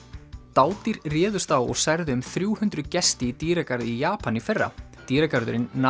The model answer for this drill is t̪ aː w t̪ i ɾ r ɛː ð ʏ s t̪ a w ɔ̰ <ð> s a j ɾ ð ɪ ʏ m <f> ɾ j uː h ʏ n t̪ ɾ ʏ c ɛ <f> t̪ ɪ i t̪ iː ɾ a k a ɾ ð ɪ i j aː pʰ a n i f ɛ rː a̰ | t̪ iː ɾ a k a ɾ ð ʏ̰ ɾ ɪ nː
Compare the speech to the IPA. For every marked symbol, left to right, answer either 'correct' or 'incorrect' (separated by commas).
incorrect, incorrect, incorrect